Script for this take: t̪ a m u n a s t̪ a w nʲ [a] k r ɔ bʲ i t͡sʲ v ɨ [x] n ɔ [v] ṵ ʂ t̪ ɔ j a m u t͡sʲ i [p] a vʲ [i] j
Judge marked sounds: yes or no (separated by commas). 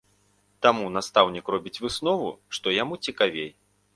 no, no, yes, no, no